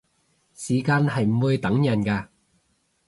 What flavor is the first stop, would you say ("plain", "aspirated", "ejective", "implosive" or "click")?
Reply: plain